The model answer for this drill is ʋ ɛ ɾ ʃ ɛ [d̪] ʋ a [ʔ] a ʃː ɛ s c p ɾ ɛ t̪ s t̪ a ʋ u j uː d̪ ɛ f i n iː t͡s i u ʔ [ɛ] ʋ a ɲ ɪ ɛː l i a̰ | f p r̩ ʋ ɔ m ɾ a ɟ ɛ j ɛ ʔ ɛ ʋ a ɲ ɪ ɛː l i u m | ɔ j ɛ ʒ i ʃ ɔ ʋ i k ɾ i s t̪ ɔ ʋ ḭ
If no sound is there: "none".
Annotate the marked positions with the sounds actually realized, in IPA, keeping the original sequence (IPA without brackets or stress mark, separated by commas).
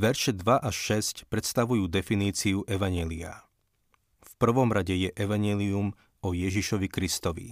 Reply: d̪, ʔ, ɛ